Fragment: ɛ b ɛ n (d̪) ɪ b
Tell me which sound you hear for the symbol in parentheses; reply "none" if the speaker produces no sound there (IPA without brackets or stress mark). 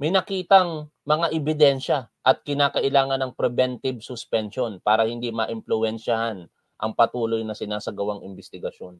t̪